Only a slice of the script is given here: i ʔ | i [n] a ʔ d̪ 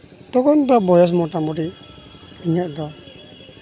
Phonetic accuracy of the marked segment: incorrect: ɲ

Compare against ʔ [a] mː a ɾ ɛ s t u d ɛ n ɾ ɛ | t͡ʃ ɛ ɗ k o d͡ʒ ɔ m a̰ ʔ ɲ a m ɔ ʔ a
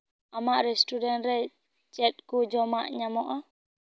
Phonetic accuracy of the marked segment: correct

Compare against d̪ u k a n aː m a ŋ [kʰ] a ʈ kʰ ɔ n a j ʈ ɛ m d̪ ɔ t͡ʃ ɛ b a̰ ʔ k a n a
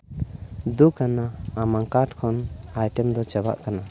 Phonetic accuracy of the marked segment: incorrect: k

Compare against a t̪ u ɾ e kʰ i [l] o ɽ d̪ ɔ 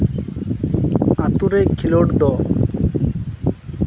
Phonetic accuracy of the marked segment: correct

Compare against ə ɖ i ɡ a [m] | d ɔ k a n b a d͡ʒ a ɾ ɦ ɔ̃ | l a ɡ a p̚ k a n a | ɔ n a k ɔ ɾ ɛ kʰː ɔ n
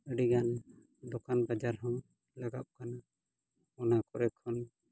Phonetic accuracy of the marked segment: incorrect: n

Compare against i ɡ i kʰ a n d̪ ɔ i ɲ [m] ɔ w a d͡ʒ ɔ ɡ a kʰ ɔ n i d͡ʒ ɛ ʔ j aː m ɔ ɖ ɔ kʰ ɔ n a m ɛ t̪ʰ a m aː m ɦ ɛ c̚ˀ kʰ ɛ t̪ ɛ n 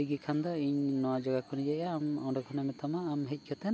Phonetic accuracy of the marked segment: incorrect: n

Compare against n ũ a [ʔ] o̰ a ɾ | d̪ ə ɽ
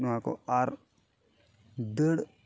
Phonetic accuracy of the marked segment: incorrect: k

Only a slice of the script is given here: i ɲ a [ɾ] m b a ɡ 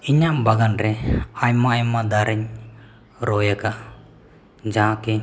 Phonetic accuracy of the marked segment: incorrect: none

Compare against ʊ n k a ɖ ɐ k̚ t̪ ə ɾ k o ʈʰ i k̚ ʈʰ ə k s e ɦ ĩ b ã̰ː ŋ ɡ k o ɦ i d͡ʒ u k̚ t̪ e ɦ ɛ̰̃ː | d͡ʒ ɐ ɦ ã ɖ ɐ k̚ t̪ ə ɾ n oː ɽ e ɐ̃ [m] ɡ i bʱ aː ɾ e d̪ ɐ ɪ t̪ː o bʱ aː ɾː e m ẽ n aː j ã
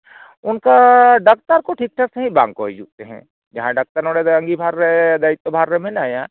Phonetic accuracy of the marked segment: incorrect: ŋ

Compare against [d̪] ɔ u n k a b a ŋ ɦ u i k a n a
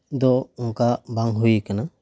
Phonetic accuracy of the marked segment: correct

